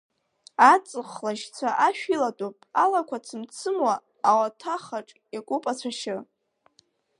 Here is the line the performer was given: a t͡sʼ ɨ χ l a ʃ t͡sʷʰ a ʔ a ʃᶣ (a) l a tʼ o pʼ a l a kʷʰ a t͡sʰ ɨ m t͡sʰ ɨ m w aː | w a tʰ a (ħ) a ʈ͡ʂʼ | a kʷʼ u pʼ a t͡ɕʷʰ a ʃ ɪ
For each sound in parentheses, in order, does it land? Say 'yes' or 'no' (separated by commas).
no, no